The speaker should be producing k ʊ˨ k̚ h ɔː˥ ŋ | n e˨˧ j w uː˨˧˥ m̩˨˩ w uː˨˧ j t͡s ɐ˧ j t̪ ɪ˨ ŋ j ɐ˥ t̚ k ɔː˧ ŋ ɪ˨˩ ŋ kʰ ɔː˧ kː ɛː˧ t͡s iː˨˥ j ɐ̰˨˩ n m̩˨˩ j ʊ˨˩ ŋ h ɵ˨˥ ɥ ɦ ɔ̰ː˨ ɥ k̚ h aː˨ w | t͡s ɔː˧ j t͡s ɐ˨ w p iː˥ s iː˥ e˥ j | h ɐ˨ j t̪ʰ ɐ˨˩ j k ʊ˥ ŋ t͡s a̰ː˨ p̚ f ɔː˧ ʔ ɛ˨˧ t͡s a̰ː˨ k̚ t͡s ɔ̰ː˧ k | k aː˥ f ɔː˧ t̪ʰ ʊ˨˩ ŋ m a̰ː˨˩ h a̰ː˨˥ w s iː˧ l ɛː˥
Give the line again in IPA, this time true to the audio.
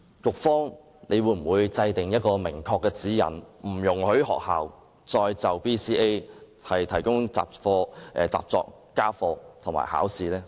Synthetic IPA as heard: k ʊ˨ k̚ f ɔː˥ ŋ | n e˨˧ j w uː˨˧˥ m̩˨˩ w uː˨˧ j t͡s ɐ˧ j t̪ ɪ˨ ŋ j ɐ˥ t̚ k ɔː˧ m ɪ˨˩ ŋ kʰ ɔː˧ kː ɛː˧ t͡s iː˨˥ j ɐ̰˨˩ n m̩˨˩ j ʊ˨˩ ŋ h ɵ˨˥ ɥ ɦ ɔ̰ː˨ k̚ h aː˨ w | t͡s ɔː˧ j t͡s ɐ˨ w p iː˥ s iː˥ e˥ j | h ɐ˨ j t̪ʰ ɐ˨˩ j k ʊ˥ ŋ t͡s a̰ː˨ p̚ f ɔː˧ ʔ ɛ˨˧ t͡s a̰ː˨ p̚ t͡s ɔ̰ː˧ k | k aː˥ f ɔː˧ t̪ʰ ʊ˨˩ ŋ m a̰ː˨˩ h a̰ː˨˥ w s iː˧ l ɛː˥